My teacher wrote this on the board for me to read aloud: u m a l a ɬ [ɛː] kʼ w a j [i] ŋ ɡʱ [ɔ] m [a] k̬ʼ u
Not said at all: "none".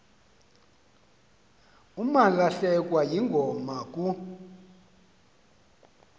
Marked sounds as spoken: ɛ, i, ɔ, a

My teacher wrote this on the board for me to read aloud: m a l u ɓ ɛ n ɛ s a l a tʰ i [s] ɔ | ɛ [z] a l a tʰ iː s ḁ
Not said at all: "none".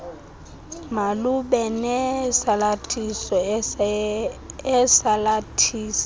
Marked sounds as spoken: s, s

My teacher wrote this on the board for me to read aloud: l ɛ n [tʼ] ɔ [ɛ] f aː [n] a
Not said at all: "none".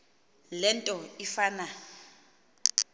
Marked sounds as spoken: tʼ, i, n

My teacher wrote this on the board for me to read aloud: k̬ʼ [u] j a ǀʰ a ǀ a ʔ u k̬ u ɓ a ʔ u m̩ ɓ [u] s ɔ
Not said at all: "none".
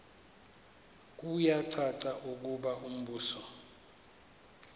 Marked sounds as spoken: u, uː

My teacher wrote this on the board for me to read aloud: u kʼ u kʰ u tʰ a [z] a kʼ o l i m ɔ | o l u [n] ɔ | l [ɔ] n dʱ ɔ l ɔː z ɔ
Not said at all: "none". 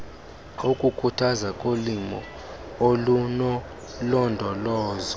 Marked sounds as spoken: z, n, ɔ

